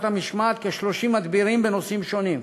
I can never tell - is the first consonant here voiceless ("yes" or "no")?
yes